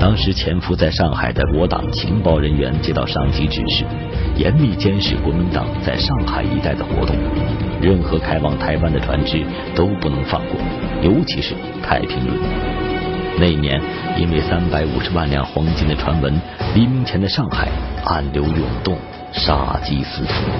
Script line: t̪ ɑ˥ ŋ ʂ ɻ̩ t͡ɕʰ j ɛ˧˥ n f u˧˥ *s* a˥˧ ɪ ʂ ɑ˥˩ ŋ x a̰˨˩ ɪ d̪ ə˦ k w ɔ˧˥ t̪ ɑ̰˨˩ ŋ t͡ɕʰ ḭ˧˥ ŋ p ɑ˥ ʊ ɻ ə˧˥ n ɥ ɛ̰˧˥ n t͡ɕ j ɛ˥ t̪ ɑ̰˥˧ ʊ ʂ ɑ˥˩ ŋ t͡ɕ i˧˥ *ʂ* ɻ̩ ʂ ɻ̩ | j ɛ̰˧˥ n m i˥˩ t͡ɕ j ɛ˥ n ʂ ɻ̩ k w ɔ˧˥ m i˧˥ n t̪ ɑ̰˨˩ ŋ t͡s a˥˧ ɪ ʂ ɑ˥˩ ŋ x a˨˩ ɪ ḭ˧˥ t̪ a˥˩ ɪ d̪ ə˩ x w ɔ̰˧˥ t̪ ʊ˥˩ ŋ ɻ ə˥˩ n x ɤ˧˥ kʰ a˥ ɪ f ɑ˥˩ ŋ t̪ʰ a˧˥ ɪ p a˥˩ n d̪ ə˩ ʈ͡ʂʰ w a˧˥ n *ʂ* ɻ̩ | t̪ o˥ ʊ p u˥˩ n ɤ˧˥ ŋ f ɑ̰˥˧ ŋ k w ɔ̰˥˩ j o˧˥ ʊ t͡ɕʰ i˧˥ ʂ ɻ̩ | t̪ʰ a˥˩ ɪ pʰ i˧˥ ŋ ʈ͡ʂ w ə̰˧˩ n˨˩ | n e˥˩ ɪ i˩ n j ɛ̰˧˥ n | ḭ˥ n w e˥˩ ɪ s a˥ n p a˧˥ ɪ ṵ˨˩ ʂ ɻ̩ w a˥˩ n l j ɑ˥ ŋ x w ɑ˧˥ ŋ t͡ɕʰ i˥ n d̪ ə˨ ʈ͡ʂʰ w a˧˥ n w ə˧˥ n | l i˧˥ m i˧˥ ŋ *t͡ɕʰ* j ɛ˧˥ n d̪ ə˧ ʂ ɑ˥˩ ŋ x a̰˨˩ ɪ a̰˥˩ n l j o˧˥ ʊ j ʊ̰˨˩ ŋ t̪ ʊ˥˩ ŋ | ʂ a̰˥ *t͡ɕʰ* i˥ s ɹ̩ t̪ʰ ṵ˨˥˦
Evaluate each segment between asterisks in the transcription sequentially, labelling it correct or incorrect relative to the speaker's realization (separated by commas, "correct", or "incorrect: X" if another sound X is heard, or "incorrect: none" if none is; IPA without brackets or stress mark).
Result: incorrect: t͡s, incorrect: ʈ͡ʂ, incorrect: ʈ͡ʂ, correct, incorrect: t͡ɕ